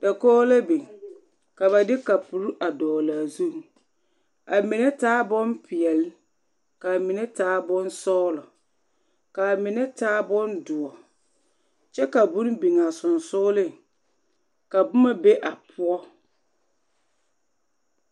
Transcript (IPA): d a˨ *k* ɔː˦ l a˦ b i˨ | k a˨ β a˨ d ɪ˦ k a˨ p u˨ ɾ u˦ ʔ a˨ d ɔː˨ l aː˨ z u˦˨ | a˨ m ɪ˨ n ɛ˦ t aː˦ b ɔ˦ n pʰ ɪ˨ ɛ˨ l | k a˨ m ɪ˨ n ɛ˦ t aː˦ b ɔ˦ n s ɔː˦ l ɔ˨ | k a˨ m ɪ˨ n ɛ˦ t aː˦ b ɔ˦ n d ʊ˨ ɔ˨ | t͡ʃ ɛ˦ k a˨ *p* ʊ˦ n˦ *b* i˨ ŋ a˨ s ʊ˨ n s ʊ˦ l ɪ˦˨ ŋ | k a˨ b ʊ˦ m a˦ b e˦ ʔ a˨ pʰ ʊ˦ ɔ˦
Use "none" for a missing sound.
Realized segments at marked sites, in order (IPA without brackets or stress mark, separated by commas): k, b, b